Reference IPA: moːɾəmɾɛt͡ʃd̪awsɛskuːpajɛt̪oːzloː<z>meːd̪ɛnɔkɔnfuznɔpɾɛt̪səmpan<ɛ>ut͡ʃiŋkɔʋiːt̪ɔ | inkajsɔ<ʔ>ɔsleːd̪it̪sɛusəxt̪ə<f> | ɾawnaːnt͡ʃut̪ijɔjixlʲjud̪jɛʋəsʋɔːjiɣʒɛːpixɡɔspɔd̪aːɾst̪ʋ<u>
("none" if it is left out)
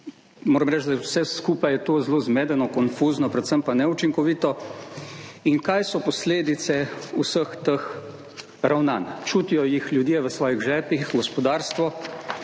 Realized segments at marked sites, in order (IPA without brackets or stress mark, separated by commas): z, ɛ, p, x, ɔ